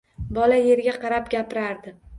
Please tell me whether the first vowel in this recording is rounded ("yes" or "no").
yes